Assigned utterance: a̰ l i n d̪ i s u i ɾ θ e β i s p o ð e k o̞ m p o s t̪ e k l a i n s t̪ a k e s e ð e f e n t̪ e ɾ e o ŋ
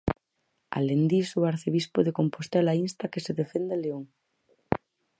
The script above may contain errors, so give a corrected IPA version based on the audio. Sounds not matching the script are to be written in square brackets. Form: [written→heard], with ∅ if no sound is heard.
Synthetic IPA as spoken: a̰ l [i→e] n d̪ i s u [i→a] ɾ θ e β i s p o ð e k o̞ m p o s t̪ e [k→∅] l a i n s t̪ a k e s e ð e f e n [t̪→d̪] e [ɾ→l] e o ŋ